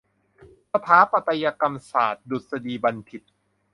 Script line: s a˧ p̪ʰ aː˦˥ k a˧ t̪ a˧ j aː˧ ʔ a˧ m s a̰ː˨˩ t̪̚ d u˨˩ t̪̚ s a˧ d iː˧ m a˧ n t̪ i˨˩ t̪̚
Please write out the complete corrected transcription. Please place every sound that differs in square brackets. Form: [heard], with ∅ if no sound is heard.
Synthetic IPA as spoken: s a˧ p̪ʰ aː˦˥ [p] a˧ t̪ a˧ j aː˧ [k] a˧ m s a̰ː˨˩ t̪̚ d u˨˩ t̪̚ s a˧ d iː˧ [b] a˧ n [t̪ʰ] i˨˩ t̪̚